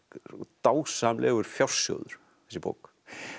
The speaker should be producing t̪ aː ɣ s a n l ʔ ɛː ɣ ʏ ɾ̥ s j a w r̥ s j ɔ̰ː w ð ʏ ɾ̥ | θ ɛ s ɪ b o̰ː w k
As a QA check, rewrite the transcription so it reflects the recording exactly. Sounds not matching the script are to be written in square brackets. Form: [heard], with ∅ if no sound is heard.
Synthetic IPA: t̪ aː [w] s a [m] l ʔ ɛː ɣ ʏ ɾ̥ [f] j a w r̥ s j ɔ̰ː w ð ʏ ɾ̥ | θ ɛ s ɪ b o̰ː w k

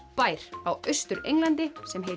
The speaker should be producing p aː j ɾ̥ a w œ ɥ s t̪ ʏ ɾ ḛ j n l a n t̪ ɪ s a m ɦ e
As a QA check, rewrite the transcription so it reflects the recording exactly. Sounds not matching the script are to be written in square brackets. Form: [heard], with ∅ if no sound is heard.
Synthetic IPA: p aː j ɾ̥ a w œ ɥ s t̪ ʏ ɾ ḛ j [ŋ] l a n t̪ ɪ s [ɛ] m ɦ e

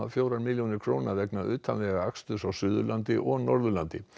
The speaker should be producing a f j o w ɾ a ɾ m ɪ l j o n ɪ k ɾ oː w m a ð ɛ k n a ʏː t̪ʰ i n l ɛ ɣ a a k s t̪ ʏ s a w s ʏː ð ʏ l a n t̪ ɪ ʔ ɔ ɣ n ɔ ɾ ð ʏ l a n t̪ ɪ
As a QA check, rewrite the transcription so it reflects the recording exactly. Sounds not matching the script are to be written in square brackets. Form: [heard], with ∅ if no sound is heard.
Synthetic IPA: a f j o w ɾ a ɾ m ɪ l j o n ɪ [kʰ] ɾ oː w [n] a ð ɛ k n a ʏː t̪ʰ [a] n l ɛ ɣ a a k s t̪ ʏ s a w s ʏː ð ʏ l a n t̪ ɪ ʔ ɔ ɣ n ɔ ɾ ð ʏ l a n t̪ ɪ

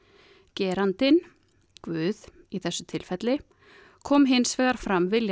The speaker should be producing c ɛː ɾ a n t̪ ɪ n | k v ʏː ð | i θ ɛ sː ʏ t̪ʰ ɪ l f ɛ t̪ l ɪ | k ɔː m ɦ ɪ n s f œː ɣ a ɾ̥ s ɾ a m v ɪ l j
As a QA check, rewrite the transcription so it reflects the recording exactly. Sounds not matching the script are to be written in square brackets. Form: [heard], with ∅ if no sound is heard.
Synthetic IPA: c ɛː ɾ a n t̪ ɪ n | k v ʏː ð | i θ ɛ sː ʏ t̪ʰ ɪ l f ɛ t̪ l ɪ | [kʰ] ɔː m ɦ ɪ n s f [ɛː] ɣ a ɾ̥ [f] ɾ a m v ɪ l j

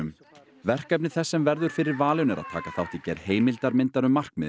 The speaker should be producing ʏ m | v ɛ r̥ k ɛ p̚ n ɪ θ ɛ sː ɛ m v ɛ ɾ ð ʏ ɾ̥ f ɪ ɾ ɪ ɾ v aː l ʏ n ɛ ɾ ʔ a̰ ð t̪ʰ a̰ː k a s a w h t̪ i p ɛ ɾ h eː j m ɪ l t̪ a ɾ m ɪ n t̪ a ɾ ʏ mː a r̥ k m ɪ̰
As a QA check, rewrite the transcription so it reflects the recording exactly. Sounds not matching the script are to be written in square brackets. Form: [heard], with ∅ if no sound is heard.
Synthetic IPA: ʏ m | v ɛ r̥ k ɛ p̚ n ɪ θ ɛ sː ɛ m v ɛ ɾ ð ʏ ɾ̥ f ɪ ɾ ɪ ɾ v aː l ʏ n ɛ ɾ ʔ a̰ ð t̪ʰ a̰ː k a [θ] a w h t̪ i [c] ɛ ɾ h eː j m ɪ l t̪ a ɾ m ɪ n t̪ a ɾ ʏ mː a r̥ k m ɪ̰

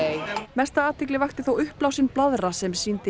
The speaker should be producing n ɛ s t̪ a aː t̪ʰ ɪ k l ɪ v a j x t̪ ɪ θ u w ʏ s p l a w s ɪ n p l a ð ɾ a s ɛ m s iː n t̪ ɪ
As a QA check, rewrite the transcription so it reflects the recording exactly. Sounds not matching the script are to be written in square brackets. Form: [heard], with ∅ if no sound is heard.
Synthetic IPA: [m] ɛ s t̪ a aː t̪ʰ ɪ k l ɪ v a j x t̪ ɪ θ [o] w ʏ [h] p l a w s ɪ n p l a ð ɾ a s ɛ m s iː n t̪ ɪ

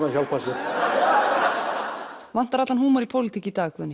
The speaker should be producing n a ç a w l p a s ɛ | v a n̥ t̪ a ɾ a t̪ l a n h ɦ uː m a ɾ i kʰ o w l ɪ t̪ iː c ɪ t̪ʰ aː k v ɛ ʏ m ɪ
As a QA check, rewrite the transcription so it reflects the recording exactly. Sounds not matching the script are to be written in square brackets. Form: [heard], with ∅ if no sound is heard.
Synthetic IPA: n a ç a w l p a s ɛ | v a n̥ t̪ a ɾ a t̪ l a n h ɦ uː m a ɾ i [pʰ] o w l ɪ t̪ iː c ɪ [t̪] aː k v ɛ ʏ [n] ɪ

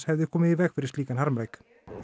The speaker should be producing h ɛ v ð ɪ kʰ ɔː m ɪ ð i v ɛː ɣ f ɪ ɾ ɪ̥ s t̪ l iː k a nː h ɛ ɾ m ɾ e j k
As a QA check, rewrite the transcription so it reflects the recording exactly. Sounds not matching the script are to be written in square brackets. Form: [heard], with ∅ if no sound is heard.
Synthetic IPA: h ɛ v ð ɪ kʰ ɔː m ɪ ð i v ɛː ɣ f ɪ ɾ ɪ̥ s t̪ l iː k a [n] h [a] ɾ m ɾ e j k

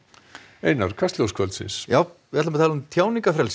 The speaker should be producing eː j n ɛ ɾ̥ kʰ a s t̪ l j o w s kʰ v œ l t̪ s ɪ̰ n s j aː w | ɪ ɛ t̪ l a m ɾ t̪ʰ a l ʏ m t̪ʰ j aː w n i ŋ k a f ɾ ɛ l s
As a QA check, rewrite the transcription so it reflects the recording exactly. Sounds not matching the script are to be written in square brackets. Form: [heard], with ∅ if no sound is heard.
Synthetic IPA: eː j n [a] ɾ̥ kʰ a s t̪ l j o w s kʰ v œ l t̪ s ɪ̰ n s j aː w | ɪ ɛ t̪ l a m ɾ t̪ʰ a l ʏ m t̪ʰ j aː w n i ŋ k a f ɾ ɛ l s

